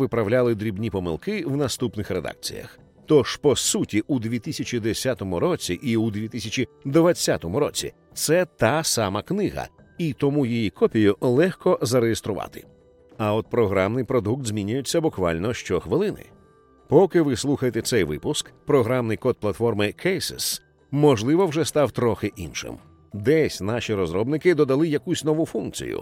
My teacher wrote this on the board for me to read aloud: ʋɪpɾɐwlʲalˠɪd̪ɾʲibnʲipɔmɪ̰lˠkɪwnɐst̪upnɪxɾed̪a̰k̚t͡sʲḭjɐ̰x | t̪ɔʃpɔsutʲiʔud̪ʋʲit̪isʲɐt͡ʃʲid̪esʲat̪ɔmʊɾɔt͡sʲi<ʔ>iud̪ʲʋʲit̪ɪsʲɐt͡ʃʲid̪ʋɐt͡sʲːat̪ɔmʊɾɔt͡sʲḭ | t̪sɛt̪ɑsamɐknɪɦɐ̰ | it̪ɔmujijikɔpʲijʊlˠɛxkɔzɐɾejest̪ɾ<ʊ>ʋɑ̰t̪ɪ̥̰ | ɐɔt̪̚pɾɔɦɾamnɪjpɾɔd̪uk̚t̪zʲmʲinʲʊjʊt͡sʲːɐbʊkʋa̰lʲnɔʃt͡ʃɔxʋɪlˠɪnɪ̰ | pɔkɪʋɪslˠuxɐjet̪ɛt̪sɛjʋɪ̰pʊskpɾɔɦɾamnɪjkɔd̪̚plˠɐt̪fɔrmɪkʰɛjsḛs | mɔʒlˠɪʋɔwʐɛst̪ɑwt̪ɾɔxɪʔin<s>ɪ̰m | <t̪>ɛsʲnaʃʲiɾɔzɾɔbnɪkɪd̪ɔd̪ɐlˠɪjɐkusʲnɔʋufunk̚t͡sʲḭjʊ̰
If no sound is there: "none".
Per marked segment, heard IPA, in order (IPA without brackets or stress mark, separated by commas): ʔ, ʊ, ʃ, d̪